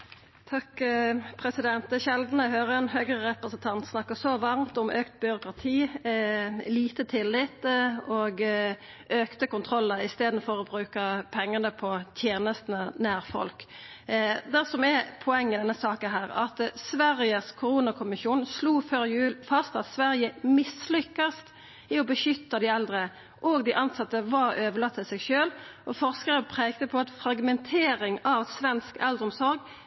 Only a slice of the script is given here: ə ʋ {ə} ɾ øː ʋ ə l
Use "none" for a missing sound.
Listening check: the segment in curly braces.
ɑ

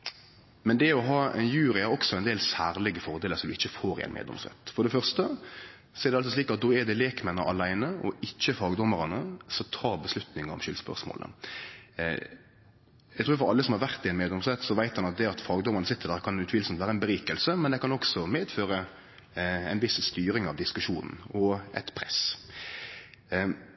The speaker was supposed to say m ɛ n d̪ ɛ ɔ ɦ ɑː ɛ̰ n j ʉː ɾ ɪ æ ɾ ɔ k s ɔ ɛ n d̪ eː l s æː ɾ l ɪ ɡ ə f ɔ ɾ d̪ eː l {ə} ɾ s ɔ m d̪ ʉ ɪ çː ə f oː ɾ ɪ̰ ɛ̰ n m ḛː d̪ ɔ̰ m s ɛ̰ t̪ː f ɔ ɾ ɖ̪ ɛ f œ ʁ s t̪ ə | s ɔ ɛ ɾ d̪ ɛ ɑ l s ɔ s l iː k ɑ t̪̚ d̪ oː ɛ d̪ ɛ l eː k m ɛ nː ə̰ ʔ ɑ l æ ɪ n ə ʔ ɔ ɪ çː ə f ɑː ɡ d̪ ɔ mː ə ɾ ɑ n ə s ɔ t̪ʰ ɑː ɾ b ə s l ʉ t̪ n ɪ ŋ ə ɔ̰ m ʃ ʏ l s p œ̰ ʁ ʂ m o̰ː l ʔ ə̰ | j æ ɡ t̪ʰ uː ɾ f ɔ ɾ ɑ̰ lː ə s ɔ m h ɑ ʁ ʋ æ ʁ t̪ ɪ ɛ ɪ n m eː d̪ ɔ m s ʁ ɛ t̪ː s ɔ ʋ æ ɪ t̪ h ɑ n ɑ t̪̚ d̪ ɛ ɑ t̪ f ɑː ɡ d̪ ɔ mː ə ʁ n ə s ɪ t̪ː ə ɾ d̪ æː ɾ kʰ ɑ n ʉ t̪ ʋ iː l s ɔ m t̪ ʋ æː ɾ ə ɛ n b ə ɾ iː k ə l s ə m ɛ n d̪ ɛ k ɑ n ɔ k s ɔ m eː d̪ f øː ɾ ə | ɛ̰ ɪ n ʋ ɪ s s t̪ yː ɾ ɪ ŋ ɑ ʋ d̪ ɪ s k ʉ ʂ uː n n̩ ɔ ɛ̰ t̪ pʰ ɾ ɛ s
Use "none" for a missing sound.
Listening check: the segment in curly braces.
ə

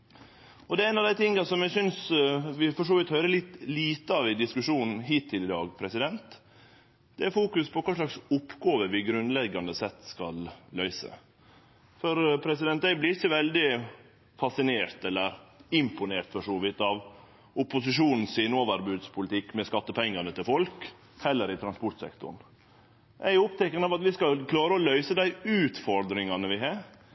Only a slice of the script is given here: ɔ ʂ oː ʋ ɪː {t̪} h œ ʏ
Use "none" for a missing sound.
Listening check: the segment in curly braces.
t̪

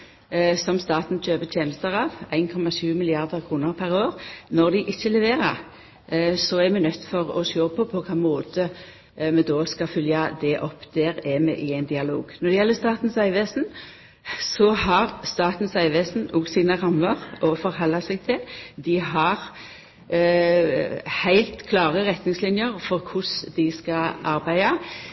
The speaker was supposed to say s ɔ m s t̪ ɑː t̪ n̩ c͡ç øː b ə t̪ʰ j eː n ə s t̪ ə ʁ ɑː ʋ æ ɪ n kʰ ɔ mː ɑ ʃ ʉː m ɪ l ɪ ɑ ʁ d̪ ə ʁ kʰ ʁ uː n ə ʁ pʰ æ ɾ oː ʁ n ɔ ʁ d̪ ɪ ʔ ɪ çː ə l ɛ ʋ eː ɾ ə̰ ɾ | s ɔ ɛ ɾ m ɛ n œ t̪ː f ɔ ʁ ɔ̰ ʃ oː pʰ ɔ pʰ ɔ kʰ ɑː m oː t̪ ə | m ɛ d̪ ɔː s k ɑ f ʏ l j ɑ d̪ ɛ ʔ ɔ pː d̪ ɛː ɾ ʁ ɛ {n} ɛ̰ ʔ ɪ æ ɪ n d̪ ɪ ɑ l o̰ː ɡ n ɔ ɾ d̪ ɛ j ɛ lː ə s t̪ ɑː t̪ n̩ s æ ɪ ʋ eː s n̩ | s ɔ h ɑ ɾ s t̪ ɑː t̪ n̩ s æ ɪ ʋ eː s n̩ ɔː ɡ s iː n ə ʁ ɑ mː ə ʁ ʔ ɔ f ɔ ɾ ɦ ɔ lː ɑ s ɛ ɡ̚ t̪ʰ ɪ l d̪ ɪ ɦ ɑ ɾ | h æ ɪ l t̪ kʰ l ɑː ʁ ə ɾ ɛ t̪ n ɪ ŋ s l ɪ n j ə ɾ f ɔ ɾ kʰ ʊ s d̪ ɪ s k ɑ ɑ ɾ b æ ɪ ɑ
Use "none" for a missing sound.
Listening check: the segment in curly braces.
m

